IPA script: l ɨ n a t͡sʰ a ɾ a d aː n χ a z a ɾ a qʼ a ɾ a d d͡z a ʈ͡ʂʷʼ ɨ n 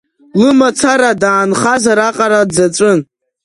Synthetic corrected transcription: l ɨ m a t͡sʰ a ɾ a d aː n χ a z a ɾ a qʼ a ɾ a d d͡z a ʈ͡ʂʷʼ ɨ n

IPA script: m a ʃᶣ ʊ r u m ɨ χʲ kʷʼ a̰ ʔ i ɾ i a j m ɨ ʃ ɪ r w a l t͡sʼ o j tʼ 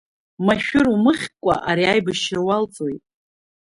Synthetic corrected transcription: m a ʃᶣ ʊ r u m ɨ χʲ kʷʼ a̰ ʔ a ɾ i a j b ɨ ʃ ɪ r w a l t͡sʼ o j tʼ

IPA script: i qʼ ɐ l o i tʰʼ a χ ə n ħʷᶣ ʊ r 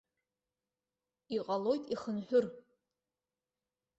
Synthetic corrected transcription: i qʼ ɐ l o j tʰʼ i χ ə n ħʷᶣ ʊ r

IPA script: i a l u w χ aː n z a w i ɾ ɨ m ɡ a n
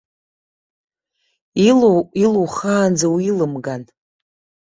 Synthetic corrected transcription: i i l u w χ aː n d͡z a w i l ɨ m ɡ a n

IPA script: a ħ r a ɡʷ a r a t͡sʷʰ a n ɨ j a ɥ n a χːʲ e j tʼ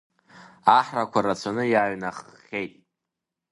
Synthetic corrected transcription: a ħ r a kʷ a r a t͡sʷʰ a n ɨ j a ɥ n a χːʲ e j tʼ

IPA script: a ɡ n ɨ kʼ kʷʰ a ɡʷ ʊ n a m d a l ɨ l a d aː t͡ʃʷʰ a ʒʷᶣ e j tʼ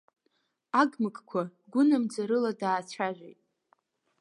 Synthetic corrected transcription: a ɡ m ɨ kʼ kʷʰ a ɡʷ ʊ n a m d͡z a ɾ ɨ l a d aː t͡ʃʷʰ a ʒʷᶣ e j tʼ

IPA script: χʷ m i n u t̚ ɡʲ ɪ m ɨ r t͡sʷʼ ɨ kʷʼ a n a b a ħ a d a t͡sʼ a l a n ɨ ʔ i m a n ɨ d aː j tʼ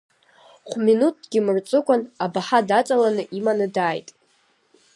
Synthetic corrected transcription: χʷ m i n u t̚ ɡʲ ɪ m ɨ r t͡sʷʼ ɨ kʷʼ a n a b a ħ a d a t͡sʼ a l a n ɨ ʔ i m a n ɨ d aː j tʼ

